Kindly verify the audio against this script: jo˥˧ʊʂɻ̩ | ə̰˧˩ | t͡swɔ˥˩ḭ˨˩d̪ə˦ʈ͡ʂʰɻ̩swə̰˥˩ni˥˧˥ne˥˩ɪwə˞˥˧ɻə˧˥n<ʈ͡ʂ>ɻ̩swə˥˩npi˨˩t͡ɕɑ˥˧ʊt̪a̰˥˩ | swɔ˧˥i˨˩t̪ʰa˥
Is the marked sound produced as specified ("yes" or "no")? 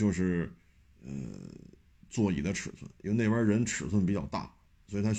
no